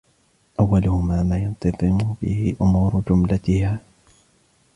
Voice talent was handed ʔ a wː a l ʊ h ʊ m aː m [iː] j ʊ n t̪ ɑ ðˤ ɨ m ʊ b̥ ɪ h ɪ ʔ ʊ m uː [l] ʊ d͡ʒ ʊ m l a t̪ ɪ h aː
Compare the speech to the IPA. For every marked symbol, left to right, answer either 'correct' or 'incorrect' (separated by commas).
incorrect, incorrect